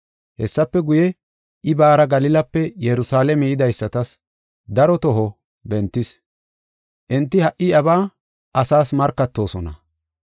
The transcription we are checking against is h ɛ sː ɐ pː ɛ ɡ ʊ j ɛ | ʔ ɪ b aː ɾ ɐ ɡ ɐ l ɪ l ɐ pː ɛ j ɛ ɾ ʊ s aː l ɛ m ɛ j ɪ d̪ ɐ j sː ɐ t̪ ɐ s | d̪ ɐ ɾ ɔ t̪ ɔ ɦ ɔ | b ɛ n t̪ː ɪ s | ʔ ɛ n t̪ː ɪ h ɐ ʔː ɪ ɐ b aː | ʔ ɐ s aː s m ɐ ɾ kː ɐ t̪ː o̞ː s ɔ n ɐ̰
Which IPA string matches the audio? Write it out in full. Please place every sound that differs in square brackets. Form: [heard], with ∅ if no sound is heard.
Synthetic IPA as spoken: h ɛ sː ɐ pː ɛ ɡ ʊ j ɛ | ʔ ɪ b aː ɾ ɐ ɡ ɐ l ɪ l ɐ pː ɛ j ɛ ɾ ʊ s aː l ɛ m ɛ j ɪ d̪ ɐ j sː ɐ t̪ ɐ s | d̪ ɐ ɾ ɔ t̪ ɔ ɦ ɔ | b ɛ n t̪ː ɪ s | ʔ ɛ n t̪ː ɪ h ɐ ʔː ɪ ɐ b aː | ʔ ɐ s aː s m ɐ ɾ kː ɐ t̪ː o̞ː s ɔ n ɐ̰